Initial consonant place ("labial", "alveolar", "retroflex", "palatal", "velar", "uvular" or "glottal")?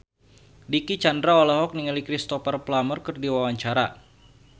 alveolar